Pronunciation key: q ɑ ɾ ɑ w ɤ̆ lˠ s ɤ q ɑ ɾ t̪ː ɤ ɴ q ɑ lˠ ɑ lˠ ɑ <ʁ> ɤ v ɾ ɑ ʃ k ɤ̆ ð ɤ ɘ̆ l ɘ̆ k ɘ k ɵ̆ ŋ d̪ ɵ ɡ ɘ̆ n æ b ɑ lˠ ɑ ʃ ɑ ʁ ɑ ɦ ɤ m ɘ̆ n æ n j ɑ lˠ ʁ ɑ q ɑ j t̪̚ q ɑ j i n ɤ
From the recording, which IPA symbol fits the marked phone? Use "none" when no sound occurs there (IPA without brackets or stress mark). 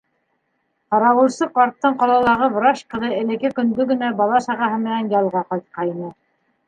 ʁ